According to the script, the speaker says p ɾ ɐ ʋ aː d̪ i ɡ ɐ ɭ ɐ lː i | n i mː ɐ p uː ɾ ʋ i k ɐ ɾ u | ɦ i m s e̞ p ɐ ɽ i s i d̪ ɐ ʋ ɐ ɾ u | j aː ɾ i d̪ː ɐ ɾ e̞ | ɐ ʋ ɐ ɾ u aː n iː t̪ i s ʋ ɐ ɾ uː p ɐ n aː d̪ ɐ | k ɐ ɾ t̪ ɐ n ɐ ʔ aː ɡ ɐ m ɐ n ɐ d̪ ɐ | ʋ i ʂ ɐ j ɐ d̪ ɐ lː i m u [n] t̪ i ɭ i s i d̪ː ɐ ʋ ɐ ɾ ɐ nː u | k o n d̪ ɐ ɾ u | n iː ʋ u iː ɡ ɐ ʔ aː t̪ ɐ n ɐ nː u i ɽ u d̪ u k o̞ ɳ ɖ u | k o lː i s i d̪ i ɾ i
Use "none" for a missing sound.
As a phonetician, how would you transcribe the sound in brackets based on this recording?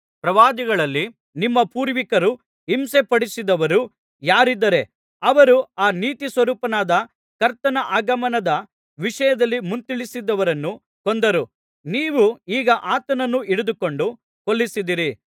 n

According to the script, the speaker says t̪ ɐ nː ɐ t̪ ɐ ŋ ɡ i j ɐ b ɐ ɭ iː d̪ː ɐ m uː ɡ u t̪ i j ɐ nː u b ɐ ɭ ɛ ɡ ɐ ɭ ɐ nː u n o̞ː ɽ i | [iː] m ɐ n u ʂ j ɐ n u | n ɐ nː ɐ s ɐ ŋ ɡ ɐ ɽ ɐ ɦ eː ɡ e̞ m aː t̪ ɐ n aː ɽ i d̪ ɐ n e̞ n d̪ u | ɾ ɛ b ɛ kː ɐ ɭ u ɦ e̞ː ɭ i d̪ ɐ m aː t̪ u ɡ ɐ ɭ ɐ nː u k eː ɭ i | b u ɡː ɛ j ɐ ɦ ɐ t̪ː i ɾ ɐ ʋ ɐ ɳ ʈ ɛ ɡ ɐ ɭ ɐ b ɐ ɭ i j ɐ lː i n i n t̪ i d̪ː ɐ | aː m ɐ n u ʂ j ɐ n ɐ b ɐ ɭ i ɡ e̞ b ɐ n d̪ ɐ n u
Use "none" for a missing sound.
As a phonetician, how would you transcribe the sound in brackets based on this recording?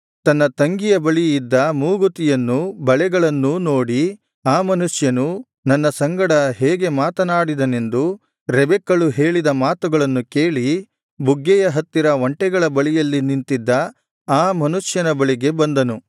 aː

